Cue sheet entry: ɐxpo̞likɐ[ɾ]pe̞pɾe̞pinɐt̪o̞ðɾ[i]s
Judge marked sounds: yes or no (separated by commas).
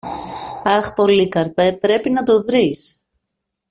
yes, yes